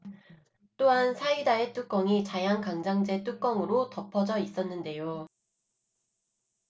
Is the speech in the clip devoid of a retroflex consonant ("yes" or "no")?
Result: yes